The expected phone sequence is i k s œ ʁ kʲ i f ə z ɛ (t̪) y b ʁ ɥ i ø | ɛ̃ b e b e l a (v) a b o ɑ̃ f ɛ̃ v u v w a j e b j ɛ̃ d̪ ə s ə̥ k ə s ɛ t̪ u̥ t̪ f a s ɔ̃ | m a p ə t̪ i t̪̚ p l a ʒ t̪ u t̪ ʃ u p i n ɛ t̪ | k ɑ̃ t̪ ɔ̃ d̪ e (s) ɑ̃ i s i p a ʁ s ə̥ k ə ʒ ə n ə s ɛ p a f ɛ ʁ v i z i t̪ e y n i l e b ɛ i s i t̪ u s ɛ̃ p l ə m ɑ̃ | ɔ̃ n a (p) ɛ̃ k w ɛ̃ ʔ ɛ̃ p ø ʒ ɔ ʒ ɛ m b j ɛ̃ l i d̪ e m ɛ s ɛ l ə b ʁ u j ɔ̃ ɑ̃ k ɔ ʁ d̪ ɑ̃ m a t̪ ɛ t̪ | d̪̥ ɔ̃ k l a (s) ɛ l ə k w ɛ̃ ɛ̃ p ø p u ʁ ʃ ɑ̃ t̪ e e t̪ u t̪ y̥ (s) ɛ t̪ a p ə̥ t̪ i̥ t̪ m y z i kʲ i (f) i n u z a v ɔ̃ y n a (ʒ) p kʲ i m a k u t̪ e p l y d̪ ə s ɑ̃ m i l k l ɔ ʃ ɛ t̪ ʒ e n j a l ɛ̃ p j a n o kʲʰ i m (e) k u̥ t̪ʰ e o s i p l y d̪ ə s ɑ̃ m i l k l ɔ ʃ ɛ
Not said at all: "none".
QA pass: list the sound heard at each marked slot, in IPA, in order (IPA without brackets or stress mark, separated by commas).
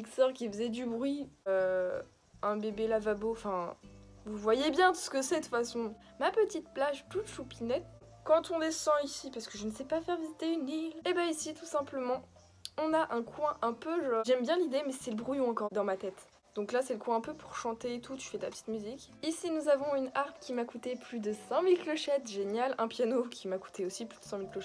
d̪, v, s, ʔ, s, f, s, ʁ, a